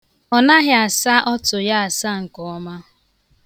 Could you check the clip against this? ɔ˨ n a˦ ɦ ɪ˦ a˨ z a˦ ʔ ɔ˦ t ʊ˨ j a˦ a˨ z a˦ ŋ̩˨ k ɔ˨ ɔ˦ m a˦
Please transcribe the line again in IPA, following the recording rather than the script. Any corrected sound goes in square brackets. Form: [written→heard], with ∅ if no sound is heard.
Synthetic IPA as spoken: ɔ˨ n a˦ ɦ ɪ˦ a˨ [z→s] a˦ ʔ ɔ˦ t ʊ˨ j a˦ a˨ [z→s] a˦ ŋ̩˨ k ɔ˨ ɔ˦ m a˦